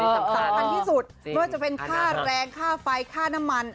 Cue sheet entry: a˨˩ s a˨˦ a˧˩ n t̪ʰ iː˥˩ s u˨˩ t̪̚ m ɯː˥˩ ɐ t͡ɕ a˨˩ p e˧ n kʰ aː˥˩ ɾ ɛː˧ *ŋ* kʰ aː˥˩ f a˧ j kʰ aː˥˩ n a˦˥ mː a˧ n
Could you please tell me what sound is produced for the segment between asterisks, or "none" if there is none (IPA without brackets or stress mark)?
ŋ